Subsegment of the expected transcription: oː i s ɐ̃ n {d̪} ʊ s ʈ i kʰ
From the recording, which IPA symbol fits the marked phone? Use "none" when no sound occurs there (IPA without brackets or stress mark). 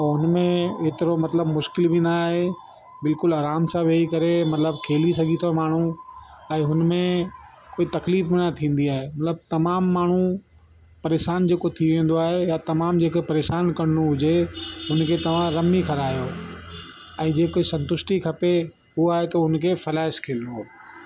t̪